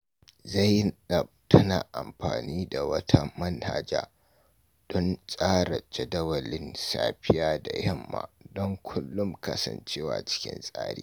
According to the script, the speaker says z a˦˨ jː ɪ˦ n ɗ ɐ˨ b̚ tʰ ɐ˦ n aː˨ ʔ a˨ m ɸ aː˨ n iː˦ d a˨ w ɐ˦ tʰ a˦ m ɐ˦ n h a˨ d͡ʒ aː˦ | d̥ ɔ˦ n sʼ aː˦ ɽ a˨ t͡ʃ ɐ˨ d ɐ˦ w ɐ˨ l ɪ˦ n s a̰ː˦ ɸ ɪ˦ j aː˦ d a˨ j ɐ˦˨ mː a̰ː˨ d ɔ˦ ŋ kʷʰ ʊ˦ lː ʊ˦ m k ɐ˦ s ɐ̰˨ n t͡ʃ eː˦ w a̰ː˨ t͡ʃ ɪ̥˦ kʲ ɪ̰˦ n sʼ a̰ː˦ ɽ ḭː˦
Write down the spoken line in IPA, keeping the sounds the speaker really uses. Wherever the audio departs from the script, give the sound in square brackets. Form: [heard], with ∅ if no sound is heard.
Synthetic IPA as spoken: z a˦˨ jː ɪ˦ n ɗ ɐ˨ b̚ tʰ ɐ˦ n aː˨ ʔ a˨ m ɸ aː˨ n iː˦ d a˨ w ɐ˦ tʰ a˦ m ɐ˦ n h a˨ d͡ʒ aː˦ | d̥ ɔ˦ n sʼ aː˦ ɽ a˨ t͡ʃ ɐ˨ d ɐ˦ w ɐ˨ l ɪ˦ n s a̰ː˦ ɸ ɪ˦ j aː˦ d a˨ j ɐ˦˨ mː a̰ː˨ d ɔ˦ ŋ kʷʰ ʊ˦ lː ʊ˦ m k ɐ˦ s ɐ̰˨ n t͡ʃ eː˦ w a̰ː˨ t͡ʃ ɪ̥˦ kʲ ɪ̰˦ n sʼ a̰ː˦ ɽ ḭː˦